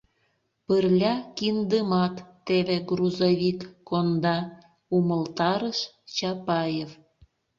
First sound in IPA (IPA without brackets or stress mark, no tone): p